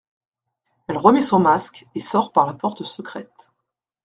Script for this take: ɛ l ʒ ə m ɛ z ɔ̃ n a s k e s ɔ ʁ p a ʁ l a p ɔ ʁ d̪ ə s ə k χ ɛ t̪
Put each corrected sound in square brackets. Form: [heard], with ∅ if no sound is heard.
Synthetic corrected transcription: ɛ l [ʁ] ə m ɛ [s] ɔ̃ [m] a s k e s ɔ ʁ p a ʁ l a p ɔ ʁ [t̪] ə s ə k χ ɛ t̪